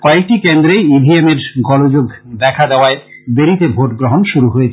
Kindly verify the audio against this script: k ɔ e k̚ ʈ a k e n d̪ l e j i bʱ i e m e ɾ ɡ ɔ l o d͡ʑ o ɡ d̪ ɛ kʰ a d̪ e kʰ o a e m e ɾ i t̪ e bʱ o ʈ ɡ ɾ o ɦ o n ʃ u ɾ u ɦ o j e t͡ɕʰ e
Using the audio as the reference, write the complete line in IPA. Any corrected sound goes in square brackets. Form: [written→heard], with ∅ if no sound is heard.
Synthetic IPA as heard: k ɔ e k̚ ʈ [a→i] k e n d̪ [l→ɾ] e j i bʱ i e m e ɾ ɡ ɔ l o d͡ʑ o ɡ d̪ ɛ kʰ a d̪ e [kʰ→∅] o a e [m→b] e ɾ i t̪ e bʱ o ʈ ɡ ɾ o ɦ o n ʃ u ɾ u ɦ o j e t͡ɕʰ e